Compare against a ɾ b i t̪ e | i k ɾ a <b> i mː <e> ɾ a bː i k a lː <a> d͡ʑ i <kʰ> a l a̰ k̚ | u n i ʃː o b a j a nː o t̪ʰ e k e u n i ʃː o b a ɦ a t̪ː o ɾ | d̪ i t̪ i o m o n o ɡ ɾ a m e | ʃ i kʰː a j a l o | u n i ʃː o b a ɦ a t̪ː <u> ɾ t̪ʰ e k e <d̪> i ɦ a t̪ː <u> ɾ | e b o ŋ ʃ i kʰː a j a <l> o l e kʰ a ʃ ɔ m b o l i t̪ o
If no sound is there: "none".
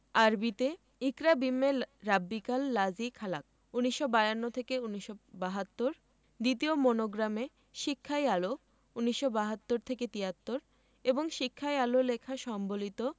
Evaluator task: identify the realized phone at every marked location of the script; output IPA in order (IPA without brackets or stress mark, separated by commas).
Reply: b, e, a, kʰ, o, t̪, o, l